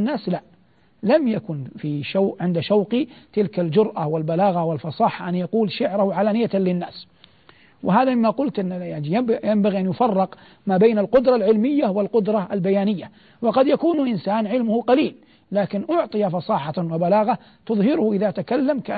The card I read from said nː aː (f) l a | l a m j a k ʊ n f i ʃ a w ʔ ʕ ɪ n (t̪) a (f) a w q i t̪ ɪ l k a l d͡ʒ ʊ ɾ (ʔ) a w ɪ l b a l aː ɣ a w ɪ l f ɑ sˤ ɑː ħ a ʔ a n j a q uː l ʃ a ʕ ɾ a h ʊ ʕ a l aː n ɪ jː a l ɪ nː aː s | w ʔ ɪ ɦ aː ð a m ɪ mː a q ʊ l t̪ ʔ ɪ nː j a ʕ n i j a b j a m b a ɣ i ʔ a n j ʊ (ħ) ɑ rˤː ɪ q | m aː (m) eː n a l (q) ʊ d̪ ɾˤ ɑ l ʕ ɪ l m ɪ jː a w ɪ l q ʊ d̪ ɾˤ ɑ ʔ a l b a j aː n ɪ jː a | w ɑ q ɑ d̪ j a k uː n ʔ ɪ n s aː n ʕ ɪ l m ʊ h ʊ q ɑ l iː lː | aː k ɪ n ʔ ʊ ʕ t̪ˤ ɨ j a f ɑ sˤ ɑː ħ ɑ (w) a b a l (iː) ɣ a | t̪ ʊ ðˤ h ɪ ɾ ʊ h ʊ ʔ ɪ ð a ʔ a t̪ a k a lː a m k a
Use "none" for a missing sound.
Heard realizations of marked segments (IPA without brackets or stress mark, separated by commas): s, d̪, ʃ, ʔ, f, b, q, w, aː